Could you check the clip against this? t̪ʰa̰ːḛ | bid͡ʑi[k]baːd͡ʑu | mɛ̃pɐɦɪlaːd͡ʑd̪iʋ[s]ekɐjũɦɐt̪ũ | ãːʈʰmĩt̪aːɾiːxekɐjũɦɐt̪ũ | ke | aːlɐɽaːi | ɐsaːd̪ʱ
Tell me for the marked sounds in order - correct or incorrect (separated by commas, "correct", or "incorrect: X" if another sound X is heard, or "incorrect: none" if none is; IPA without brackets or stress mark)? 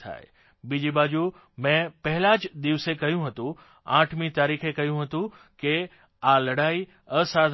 incorrect: none, correct